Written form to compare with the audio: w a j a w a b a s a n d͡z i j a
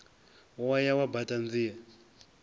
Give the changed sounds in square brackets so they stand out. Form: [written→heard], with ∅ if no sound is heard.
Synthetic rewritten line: w a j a w a b a [s→t] a n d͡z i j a